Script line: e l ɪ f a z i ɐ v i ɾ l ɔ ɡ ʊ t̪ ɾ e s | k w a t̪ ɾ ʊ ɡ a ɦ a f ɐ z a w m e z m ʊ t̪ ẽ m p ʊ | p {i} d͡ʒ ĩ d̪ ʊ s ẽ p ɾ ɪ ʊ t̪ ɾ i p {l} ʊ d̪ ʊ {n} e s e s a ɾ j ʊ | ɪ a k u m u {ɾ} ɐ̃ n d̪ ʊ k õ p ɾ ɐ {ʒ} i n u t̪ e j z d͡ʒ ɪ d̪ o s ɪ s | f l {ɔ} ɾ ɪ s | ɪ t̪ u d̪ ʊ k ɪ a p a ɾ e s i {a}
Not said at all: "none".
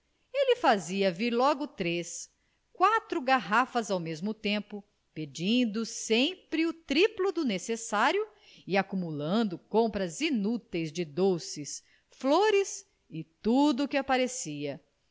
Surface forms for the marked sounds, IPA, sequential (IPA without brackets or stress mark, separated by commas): e, l, n, l, z, o, ɐ